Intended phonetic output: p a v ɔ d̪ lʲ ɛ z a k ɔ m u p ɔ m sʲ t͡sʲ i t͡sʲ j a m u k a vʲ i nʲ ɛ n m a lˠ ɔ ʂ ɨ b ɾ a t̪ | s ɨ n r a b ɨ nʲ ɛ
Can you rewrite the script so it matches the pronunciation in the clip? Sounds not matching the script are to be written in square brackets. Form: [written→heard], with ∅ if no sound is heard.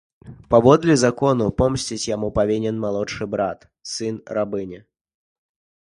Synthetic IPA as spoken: p a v ɔ d̪ lʲ ɛ z a k ɔ [m→n] u p ɔ m sʲ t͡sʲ i t͡sʲ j a m u [k→p] a vʲ i nʲ ɛ n m a lˠ ɔ ʂ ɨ b ɾ a t̪ | s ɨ n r a b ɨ nʲ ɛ